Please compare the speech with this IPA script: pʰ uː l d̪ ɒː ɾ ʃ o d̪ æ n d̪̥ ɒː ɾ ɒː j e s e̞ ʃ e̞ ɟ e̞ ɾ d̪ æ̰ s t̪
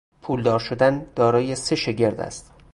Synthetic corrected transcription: pʰ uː l d̪ ɒː ɾ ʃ o d̪ æ n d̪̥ ɒː ɾ ɒː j e s e̞ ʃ e̞ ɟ e̞ ɾ d̪ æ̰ s t̪